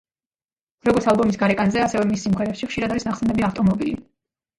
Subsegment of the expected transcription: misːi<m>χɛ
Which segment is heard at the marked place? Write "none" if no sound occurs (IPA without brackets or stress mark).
m